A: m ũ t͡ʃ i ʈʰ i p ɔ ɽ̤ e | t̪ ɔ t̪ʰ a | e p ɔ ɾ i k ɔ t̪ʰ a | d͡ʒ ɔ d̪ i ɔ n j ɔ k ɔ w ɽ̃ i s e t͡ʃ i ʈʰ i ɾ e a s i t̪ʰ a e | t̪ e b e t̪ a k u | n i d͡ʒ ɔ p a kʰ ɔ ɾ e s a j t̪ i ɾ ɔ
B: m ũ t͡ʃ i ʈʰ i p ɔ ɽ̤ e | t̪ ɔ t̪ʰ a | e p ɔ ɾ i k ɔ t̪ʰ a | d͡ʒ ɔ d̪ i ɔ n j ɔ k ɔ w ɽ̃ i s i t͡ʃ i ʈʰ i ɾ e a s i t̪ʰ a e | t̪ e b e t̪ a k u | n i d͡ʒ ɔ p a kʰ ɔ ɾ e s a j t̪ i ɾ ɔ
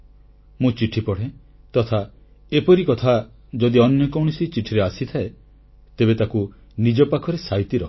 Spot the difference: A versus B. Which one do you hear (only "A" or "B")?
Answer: B